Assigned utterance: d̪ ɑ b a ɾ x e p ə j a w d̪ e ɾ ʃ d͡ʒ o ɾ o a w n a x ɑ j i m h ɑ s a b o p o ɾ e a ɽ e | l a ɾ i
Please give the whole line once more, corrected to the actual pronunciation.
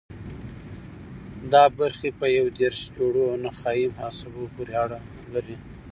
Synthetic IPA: d̪ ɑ b a ɾ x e p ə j a w d̪ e ɾ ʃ d͡ʒ o ɽ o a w n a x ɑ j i m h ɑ s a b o p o ɾ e a ɽ a | l a ɾ i